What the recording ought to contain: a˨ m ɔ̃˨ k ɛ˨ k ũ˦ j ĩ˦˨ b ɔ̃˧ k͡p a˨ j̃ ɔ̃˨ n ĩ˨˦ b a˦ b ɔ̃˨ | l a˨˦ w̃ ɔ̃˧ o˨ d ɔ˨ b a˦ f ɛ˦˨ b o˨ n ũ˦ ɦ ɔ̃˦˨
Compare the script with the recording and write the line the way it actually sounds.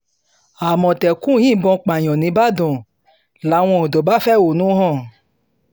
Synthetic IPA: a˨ m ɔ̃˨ t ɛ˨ k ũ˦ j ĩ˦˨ b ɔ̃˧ k͡p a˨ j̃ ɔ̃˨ n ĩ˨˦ b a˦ d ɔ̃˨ | l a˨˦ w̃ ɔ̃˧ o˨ d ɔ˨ b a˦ f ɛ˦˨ w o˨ n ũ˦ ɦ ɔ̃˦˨